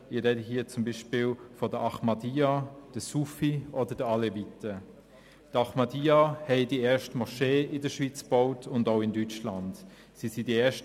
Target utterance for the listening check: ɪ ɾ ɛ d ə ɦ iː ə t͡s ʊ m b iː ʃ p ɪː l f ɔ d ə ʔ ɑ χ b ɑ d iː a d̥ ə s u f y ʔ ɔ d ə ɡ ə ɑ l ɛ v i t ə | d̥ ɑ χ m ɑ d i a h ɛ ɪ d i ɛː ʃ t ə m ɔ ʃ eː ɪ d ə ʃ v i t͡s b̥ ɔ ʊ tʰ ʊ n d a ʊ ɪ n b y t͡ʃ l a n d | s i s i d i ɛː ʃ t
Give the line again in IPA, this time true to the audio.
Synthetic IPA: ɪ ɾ ɛ d ə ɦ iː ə t͡s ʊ m b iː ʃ p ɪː l f ɔ d ə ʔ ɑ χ m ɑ d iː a d̥ ə s u f i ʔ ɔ d ə d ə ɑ l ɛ v i t ə | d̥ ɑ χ m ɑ d i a h ɛ ɪ d i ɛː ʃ t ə m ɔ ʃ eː ɪ d ə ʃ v i t͡s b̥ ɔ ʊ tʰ ʊ n d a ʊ ɪ n d y t͡ʃ l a n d | s i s i d i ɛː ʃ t